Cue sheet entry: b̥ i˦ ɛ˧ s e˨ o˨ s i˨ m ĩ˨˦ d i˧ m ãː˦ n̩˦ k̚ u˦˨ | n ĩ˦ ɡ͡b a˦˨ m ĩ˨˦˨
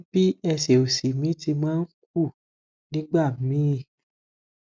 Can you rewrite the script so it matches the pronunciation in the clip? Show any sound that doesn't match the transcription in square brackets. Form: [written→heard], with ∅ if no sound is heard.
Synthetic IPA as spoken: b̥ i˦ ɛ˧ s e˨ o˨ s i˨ m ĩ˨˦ [d→t] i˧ m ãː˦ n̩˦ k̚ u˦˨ | n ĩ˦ ɡ͡b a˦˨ m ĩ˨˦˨